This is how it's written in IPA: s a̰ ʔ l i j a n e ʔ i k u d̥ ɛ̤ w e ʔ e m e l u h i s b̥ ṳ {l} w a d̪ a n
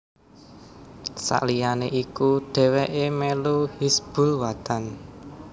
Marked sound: correct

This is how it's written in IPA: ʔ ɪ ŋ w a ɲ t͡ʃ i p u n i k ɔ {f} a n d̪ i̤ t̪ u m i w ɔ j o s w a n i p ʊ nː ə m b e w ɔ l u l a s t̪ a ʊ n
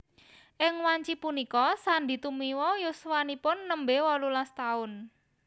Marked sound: incorrect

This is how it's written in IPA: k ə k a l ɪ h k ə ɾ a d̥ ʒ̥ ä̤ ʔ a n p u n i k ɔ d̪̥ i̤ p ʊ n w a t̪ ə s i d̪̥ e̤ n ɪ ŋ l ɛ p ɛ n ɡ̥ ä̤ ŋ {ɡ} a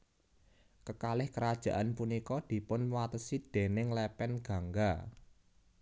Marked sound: correct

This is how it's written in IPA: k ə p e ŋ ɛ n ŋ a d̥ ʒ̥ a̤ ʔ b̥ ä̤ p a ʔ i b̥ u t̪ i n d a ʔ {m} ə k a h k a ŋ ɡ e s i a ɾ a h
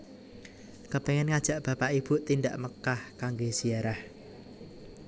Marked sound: correct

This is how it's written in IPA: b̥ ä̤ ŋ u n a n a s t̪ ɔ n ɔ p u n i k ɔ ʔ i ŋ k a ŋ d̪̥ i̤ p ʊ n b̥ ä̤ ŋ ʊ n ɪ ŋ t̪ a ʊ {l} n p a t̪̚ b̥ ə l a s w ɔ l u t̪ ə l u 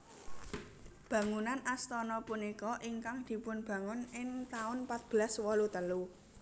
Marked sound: incorrect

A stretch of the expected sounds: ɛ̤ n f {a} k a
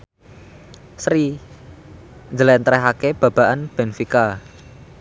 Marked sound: incorrect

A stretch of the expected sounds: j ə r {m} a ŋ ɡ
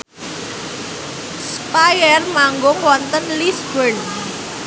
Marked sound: correct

